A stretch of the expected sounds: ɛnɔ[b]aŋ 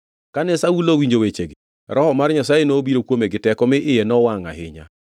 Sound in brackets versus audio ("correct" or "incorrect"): incorrect